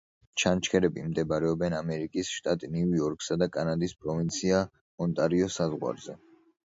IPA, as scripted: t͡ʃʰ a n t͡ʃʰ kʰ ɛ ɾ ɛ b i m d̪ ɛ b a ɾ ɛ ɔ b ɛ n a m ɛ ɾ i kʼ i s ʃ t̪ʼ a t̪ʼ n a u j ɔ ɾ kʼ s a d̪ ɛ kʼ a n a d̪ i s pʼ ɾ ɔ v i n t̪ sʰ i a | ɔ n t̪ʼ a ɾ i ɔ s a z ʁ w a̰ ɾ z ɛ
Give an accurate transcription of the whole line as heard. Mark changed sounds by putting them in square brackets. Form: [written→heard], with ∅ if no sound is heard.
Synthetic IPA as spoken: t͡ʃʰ a n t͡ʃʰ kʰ ɛ ɾ ɛ b i m d̪ ɛ b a ɾ ɛ ɔ b ɛ n a m ɛ ɾ i kʼ i s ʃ t̪ʼ a t̪ʼ n [a→i] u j ɔ ɾ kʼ s a d̪ [ɛ→a] kʼ a n a d̪ i s pʼ ɾ ɔ v i n t̪ sʰ i a | ɔ n t̪ʼ a ɾ i ɔ s a z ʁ w a̰ ɾ z ɛ